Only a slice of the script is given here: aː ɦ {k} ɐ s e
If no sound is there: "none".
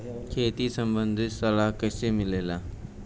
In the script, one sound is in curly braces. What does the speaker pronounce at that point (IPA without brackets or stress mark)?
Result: k